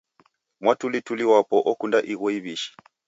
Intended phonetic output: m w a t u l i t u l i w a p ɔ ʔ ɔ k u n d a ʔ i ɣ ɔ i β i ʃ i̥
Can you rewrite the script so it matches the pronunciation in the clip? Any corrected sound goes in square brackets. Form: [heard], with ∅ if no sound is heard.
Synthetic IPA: m w a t u l i t u l i w a p ɔ ʔ ɔ k u n d a ʔ i ɣ ɔ i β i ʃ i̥

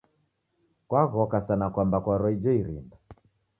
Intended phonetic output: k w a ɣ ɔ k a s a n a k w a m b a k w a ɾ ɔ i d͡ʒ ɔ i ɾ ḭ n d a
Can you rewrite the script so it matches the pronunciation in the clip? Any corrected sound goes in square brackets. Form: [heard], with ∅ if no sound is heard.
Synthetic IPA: k w a ɣ ɔ k a s a n a k w a m b a k w a ɾ ɔ i d͡ʒ ɔ i ɾ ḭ n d a

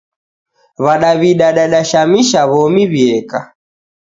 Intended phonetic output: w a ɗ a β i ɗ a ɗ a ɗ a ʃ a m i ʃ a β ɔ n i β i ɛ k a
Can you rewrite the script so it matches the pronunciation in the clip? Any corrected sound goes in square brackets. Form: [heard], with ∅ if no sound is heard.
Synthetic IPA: [β] a ɗ a β i ɗ a ɗ a ɗ a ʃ a m i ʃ a β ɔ [m] i β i ɛ k a

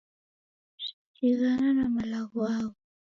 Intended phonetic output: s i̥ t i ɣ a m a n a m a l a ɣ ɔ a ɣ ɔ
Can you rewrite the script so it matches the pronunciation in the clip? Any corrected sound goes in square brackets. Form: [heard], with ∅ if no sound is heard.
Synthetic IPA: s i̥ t i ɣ a [n] a n a m a l a ɣ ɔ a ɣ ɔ

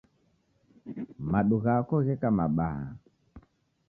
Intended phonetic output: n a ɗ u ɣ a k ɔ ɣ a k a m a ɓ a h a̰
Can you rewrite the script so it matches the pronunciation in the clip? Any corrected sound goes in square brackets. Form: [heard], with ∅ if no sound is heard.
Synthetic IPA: [m] a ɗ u ɣ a k ɔ ɣ [ɛ] k a m a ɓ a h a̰

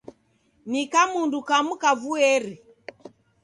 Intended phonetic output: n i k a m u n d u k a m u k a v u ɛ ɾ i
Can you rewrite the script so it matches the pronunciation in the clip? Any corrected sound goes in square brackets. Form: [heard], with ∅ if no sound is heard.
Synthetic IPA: n i k a m u n d u k a m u k a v u ɛ ɾ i

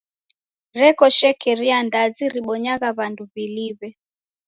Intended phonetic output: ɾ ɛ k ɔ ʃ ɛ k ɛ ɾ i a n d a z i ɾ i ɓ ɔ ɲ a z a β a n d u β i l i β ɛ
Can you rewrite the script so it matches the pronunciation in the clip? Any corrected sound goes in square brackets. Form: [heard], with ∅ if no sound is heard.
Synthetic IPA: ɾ ɛ k ɔ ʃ ɛ k ɛ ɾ i a n d a z i ɾ i ɓ ɔ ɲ a [ɣ] a β a n d u β i l i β ɛ

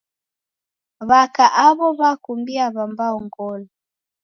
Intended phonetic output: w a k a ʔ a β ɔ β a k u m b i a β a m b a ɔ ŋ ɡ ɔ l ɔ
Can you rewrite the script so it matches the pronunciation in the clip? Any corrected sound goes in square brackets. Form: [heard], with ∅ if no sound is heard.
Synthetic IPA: [β] a k a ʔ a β ɔ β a k u m b i a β a m b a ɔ ŋ ɡ ɔ l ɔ

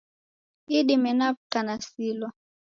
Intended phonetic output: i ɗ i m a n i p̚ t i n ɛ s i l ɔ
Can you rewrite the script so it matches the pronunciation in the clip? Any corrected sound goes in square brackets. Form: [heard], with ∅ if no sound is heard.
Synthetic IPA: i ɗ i m [ɛ] n [a] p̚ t [a] n [a] s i l ɔ

